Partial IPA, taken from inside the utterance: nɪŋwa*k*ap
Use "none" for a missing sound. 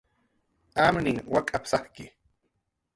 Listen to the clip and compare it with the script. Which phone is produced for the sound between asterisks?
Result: kʼ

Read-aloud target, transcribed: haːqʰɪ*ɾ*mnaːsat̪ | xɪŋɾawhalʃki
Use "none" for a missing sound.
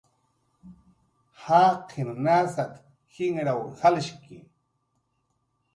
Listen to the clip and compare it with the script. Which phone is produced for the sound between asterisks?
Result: none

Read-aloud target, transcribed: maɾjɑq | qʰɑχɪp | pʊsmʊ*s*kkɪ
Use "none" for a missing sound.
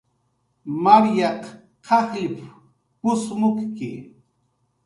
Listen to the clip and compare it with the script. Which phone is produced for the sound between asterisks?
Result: none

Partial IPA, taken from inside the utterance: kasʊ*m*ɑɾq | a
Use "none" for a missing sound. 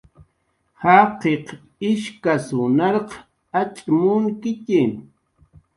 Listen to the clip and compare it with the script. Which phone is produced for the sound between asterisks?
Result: n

